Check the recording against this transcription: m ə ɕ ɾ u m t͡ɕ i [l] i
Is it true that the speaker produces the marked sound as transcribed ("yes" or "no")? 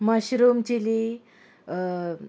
yes